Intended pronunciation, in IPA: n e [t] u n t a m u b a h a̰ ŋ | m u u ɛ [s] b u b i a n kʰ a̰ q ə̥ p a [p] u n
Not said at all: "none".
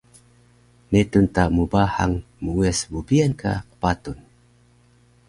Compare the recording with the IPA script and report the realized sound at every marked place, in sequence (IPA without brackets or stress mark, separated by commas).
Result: t, s, t